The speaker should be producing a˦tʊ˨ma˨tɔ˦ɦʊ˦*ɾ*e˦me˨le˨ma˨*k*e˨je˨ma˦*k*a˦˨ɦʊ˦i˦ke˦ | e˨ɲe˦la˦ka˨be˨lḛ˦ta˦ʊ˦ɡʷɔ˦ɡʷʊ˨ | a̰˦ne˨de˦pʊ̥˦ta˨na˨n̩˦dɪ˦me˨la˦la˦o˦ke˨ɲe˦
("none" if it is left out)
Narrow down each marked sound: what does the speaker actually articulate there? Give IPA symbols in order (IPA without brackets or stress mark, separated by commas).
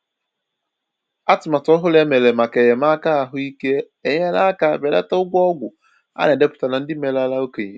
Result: l, k, k